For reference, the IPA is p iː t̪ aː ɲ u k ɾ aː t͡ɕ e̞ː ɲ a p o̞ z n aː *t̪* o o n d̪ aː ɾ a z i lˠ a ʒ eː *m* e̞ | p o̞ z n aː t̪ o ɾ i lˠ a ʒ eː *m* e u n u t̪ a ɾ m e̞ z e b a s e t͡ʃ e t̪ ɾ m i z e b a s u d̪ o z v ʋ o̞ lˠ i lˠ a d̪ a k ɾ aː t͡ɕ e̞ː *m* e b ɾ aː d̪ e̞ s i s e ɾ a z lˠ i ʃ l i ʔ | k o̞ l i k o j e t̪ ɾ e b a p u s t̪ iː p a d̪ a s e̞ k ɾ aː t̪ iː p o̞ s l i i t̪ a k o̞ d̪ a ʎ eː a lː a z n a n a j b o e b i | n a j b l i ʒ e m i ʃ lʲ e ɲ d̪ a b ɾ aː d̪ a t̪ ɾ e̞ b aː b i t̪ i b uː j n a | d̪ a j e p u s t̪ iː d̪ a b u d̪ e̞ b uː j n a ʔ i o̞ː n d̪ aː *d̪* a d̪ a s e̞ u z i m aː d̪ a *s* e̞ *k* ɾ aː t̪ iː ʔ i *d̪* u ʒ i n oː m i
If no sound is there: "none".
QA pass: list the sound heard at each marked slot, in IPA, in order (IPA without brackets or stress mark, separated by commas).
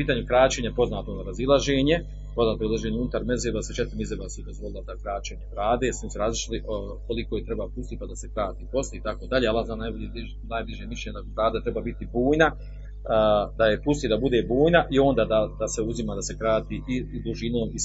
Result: t̪, ɲ, ɲ, ɲ, d̪, s, k, d̪